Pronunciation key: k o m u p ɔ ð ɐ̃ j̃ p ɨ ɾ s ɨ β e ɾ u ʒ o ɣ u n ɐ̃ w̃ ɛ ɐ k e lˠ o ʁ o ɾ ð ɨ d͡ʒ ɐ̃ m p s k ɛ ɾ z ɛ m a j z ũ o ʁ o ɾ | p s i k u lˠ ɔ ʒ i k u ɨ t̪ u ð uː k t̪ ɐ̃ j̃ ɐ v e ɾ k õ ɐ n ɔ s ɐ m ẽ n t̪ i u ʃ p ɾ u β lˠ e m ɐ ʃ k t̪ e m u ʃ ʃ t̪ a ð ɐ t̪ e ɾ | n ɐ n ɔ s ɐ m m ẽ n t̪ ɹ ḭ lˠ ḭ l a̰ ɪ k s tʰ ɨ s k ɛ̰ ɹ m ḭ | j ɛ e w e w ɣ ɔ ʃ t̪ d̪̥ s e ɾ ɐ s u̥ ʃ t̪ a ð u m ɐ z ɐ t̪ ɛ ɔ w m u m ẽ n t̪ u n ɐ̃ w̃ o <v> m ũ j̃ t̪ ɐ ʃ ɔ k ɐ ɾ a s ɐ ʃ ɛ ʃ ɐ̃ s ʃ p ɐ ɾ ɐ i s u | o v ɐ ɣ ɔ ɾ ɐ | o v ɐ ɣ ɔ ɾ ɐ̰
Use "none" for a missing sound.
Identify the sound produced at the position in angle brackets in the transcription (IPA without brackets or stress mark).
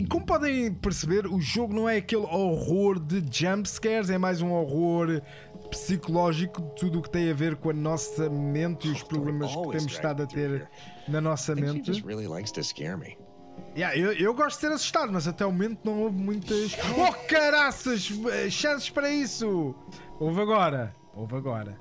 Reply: v